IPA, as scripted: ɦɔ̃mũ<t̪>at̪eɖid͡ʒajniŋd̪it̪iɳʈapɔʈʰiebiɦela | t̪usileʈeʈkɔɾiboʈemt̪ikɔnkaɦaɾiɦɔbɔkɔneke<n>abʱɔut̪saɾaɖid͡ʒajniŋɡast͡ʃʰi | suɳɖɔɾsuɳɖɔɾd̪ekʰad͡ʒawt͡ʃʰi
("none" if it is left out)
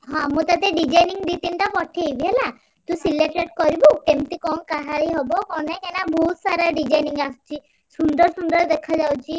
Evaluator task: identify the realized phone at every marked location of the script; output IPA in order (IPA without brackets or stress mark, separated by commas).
t̪, n